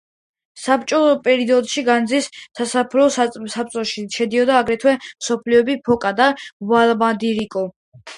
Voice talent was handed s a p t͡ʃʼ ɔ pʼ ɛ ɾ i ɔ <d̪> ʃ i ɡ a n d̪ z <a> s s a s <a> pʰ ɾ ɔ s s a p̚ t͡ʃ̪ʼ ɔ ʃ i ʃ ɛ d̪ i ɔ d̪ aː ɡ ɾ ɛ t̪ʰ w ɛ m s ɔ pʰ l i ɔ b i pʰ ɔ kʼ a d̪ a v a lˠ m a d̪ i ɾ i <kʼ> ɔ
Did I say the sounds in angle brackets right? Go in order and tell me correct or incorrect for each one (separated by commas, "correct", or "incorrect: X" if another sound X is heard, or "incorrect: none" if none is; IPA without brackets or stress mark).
correct, incorrect: i, correct, correct